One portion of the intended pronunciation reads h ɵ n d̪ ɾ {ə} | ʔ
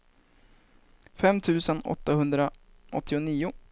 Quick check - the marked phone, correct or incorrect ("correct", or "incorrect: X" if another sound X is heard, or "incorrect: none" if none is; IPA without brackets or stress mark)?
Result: incorrect: a